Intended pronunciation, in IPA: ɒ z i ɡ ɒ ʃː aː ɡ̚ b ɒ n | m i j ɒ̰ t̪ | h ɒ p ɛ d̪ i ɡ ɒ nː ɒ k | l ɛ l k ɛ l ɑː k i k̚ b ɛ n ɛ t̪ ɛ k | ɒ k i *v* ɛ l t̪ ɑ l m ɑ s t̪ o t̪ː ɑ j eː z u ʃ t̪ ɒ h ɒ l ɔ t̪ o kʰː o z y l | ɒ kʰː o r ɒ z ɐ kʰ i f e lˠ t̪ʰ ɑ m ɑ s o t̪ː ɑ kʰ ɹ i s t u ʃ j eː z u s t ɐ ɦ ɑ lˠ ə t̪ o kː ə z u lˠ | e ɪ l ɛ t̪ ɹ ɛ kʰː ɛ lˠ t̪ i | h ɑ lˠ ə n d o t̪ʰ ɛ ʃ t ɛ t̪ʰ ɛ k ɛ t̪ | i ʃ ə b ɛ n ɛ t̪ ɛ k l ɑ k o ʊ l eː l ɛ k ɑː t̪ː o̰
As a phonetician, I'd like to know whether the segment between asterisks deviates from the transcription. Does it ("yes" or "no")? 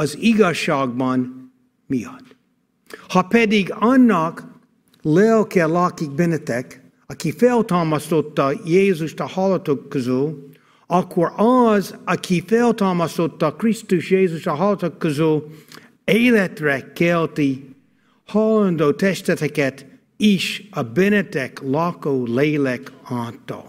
yes